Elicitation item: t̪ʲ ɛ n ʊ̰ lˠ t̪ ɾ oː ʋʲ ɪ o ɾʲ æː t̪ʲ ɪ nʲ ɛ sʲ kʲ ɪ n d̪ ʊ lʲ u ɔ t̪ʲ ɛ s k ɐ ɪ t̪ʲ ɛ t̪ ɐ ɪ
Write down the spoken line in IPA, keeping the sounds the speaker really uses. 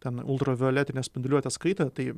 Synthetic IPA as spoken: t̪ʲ ɛ n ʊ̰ lˠ t̪ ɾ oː ʋʲ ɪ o lʲ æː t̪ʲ ɪ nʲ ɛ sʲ pʲ ɪ n d̪ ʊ lʲ u ɔ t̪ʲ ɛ s k ɐ ɪ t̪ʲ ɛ t̪ ɐ ɪ